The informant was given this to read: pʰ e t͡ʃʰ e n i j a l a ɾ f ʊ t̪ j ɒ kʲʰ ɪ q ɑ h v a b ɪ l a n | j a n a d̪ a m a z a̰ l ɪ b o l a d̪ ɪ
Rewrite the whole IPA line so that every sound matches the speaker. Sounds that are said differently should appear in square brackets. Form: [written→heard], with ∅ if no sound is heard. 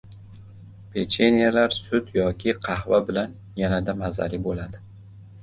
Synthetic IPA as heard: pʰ e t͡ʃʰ e n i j a l a ɾ [f→s] ʊ t̪ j ɒ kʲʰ ɪ [q→qʰ] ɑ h v a b ɪ l a n | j a n a d̪ a m a z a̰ l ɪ b o l a d̪ ɪ